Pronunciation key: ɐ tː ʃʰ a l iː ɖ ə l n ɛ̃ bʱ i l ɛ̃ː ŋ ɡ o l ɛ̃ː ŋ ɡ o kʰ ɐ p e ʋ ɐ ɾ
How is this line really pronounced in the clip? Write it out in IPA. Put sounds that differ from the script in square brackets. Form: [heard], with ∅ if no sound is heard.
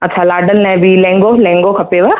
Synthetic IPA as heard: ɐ tː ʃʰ a l [aː] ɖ ə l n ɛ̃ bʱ i l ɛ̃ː ŋ ɡ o l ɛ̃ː ŋ ɡ o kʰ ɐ p e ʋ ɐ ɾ